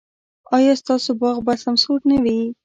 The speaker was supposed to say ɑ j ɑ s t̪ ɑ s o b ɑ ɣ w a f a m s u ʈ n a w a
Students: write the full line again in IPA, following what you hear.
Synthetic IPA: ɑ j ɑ s t̪ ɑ s o b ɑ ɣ b a s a m s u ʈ n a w i